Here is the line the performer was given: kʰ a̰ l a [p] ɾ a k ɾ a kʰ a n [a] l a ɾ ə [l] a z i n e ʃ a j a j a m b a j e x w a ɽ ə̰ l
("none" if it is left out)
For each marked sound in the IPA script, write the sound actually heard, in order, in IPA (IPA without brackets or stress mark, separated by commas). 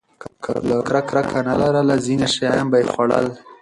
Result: k, a, l